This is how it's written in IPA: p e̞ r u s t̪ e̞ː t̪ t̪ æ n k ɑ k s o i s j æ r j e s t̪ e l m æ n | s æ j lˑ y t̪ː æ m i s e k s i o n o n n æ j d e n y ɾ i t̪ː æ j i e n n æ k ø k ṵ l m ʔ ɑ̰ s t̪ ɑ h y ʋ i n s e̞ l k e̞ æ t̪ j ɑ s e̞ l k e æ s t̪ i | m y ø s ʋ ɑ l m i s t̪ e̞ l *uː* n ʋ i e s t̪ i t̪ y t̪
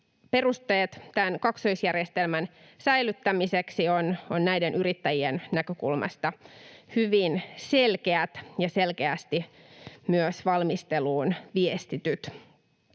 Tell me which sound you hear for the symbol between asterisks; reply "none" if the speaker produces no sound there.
uː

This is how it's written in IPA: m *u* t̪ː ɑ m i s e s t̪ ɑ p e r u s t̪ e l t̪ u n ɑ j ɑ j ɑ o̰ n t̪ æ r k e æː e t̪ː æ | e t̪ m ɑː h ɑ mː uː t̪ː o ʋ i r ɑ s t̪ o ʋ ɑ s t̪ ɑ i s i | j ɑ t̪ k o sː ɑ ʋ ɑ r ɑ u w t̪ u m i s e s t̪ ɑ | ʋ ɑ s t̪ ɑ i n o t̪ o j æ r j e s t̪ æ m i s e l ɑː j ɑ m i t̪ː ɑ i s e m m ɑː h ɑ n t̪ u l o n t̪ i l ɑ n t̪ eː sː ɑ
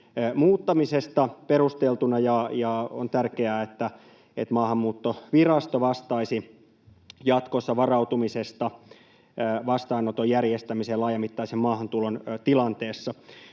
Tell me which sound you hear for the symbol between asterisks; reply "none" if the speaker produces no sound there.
uː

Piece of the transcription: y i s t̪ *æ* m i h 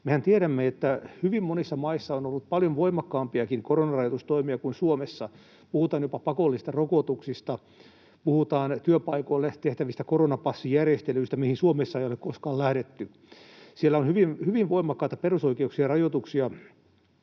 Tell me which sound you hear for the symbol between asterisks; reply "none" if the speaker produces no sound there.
æ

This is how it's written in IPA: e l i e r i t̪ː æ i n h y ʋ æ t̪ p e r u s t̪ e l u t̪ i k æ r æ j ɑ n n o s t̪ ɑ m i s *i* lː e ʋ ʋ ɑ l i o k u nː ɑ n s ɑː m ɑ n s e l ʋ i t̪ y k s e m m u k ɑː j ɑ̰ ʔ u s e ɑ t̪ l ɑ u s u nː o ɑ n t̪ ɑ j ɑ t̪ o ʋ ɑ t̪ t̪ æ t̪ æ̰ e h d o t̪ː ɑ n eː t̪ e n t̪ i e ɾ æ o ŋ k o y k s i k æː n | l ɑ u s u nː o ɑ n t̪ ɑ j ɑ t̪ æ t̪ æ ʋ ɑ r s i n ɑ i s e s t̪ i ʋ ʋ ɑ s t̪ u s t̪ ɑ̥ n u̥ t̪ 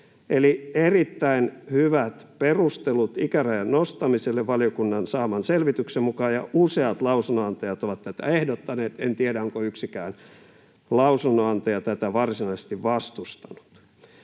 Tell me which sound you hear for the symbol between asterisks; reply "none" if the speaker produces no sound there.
e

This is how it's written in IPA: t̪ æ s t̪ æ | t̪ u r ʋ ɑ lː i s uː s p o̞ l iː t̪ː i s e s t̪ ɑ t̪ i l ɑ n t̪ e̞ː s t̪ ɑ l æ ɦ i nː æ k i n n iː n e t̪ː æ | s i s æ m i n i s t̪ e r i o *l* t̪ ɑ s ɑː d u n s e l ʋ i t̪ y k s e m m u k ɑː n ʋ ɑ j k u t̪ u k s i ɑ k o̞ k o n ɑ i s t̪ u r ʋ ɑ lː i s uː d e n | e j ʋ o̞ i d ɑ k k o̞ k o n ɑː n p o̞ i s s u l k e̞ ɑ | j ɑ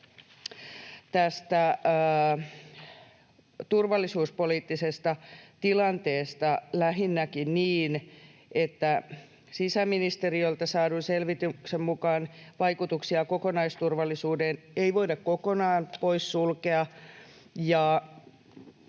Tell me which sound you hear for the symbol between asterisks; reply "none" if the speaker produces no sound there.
l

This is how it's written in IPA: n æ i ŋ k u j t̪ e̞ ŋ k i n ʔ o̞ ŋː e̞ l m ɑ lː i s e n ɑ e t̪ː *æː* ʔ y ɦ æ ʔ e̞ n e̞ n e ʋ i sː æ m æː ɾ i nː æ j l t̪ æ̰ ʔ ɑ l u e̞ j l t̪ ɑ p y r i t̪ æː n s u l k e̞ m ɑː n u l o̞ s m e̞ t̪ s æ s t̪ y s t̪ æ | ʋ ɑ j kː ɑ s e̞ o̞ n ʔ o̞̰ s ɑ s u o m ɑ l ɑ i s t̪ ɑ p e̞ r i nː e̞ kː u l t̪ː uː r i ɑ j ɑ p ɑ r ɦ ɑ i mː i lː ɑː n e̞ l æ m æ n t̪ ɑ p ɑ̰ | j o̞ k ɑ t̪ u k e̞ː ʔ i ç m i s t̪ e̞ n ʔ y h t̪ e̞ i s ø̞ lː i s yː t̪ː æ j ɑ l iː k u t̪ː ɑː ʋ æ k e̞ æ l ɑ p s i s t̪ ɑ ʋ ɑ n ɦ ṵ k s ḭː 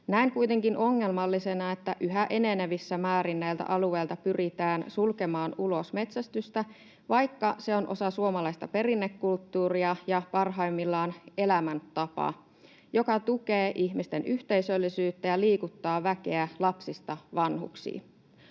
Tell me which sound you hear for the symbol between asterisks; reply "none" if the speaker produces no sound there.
æ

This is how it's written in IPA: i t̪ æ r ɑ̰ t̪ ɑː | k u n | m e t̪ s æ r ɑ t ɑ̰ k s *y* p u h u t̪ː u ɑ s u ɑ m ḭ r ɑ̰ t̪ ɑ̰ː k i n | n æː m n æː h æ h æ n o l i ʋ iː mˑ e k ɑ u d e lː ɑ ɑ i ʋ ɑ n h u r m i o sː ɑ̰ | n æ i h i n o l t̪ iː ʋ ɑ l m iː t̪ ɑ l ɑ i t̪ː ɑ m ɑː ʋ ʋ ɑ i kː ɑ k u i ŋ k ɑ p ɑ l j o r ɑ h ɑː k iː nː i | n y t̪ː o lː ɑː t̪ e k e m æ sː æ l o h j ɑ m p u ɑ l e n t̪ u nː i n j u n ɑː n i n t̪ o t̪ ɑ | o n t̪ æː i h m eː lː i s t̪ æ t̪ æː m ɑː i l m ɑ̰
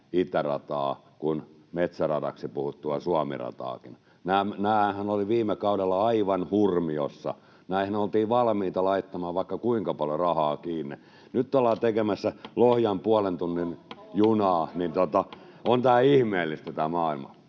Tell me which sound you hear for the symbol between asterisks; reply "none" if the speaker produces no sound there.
i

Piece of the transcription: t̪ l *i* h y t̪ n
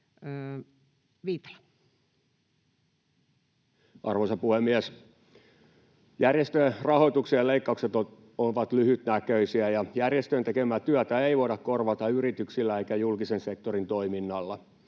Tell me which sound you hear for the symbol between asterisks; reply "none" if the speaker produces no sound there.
y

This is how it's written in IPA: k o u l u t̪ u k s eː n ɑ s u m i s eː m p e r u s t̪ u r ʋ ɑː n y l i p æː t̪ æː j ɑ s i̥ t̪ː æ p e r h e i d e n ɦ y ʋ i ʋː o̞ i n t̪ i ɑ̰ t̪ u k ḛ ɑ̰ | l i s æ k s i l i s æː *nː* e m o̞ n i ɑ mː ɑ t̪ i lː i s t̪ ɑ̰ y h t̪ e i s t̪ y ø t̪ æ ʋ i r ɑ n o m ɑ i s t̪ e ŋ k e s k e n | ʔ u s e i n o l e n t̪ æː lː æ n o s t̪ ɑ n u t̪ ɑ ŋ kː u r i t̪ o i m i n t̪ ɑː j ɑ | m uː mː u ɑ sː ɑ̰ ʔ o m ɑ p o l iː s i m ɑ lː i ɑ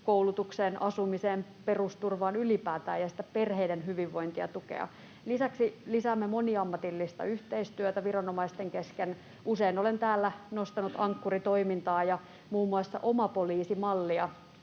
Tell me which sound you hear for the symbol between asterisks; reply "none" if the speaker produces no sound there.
mː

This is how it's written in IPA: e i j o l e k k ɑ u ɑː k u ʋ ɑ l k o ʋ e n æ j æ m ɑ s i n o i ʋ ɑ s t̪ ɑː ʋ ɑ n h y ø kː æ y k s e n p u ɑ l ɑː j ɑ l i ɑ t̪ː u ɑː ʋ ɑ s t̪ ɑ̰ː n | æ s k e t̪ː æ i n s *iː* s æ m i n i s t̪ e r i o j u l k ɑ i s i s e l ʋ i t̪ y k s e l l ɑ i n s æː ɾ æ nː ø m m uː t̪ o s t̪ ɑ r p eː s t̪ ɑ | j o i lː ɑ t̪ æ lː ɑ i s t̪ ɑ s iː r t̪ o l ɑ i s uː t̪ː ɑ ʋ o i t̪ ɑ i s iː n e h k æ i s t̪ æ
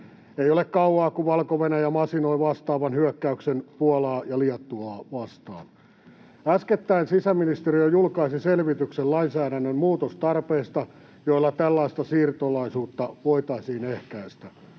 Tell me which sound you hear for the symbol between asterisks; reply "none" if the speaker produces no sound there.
i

